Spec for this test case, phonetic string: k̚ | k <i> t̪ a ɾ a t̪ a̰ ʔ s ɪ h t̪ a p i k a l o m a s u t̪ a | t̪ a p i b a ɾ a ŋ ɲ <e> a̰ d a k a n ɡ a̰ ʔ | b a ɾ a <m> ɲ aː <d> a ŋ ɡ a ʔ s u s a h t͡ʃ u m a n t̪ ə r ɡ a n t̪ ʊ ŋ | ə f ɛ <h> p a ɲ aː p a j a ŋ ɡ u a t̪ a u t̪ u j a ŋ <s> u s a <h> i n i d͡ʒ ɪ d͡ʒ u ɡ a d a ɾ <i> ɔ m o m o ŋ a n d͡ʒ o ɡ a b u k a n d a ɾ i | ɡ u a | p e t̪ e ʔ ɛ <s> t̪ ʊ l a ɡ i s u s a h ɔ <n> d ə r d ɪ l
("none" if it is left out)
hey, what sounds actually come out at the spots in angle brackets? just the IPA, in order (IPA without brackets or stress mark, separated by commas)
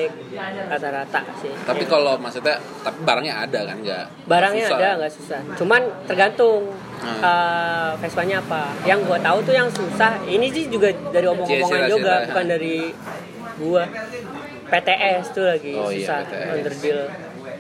a, a, ŋ, d, s, s, h, i, s, n